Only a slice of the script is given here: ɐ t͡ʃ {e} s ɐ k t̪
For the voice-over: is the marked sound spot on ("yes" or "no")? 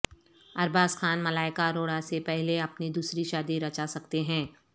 no